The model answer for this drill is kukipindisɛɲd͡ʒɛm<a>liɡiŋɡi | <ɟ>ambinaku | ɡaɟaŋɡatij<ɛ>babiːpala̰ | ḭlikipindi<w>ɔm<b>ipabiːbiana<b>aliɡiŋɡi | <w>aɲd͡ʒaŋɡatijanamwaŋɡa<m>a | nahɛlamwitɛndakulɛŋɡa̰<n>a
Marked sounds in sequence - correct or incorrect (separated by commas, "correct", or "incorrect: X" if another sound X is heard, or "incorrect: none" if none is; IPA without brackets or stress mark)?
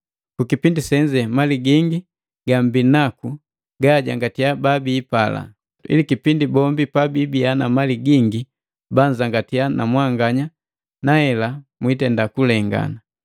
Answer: correct, incorrect: ɡ, incorrect: a, incorrect: b, correct, incorrect: m, incorrect: b, incorrect: ɲ, correct